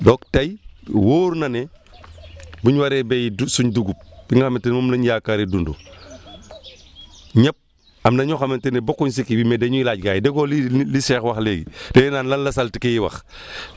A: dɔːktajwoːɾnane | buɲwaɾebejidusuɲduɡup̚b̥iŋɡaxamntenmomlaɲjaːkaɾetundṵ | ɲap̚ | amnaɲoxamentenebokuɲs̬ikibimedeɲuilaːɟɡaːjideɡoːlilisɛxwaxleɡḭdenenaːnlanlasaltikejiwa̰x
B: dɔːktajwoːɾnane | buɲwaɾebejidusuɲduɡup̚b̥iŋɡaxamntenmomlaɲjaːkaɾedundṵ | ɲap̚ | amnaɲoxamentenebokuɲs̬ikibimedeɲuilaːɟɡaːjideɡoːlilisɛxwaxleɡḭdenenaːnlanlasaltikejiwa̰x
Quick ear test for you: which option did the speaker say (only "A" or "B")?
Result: B